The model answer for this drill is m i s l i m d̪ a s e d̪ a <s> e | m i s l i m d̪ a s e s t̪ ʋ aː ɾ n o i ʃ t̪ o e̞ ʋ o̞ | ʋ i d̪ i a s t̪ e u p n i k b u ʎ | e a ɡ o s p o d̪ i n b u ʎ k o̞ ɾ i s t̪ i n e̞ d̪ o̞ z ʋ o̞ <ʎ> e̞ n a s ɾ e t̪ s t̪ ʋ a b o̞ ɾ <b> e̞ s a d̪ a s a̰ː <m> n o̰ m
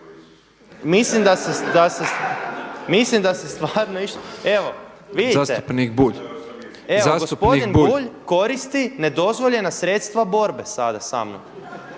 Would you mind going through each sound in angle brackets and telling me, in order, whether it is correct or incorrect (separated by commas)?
correct, correct, correct, correct